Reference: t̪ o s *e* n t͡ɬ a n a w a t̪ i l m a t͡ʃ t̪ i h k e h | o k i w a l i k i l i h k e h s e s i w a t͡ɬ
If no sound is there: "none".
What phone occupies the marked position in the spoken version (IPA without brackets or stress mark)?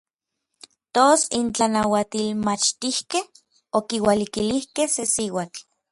i